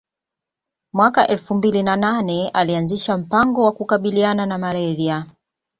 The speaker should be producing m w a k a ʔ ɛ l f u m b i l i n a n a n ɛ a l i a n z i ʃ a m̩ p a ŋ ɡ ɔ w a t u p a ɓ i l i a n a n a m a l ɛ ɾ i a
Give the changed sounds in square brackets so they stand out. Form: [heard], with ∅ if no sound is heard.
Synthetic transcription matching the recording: m w a k a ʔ ɛ l f u m b i l i n a n a n ɛ a l i a n z i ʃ a m̩ p a ŋ ɡ ɔ w a [k] u [k] a ɓ i l i a n a n a m a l ɛ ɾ i a